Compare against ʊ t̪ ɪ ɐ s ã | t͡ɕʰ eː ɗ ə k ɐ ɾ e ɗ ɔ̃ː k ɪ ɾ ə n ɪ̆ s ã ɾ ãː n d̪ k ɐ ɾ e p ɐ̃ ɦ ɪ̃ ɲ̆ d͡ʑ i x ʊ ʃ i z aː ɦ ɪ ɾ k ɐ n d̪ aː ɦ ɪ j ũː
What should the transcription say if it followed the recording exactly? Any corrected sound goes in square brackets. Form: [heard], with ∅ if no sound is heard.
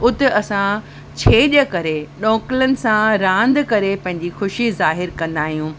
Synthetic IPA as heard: ʊ t̪ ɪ ɐ s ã | t͡ɕʰ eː ɗ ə k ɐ ɾ e ɗ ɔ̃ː k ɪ [l] ə n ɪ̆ s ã ɾ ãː n d̪ k ɐ ɾ e p ɐ̃ ɦ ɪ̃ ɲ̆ d͡ʑ i x ʊ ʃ i z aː ɦ ɪ ɾ k [ɐ̃] n d̪ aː ɦ [i] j ũː

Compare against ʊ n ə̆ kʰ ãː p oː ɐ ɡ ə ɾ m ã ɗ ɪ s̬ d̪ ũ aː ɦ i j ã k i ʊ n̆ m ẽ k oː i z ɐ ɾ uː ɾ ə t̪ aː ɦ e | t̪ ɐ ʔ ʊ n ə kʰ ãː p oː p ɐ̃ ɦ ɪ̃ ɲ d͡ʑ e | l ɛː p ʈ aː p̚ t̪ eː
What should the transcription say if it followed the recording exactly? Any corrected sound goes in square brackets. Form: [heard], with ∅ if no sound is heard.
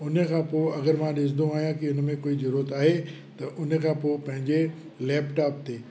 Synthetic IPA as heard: ʊ n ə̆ kʰ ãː p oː ɐ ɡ ə ɾ m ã ɗ ɪ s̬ d̪ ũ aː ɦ i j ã k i ʊ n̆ m ẽ k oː i z ɐ ɾ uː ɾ ə t̪ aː ɦ e | t̪ ɐ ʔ ʊ n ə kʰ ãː p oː p ɐ̃ ɦ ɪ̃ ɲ d͡ʑ e | l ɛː p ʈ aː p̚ t̪ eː

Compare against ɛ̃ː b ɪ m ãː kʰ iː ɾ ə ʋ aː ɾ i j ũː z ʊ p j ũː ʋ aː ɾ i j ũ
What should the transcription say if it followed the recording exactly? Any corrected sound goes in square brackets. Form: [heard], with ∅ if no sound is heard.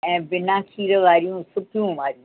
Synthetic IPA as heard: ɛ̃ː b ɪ [n] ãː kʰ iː ɾ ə ʋ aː ɾ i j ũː [s] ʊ p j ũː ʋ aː ɾ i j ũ

